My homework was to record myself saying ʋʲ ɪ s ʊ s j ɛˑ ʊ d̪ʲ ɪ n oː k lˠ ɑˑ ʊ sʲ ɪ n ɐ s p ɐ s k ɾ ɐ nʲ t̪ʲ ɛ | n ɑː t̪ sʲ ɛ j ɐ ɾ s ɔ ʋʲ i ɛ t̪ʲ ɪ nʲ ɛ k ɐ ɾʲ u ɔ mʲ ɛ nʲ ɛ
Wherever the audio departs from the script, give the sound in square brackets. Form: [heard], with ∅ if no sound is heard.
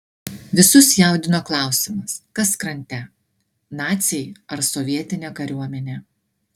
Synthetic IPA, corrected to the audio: ʋʲ ɪ s ʊ s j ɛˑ ʊ d̪ʲ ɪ n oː k lˠ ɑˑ ʊ sʲ ɪ [m] ɐ s [k] ɐ s k ɾ ɐ nʲ t̪ʲ ɛ | n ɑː t̪ sʲ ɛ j ɐ ɾ s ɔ ʋʲ i ɛ t̪ʲ ɪ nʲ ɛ k ɐ ɾʲ u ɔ mʲ ɛ nʲ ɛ